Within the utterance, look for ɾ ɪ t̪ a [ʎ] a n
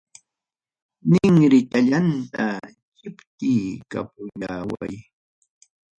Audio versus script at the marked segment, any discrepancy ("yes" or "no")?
no